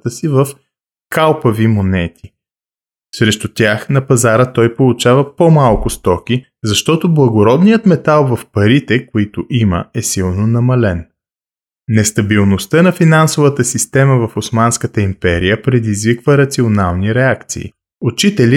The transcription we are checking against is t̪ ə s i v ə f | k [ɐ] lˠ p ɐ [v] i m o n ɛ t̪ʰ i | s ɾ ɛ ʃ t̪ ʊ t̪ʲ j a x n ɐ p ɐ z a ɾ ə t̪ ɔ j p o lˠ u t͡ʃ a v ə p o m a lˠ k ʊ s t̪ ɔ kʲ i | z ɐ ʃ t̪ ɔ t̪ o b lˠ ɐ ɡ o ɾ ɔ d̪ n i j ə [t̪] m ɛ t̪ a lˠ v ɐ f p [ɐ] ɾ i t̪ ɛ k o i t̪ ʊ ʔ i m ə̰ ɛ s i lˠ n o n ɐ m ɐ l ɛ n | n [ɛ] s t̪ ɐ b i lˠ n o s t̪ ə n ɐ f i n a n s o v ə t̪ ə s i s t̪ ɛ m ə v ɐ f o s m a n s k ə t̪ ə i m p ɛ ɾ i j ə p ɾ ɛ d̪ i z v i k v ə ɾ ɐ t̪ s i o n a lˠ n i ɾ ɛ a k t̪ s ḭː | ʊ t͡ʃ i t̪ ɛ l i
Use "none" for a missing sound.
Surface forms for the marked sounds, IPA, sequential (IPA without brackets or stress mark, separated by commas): a, v, t̪, ɐ, ɛ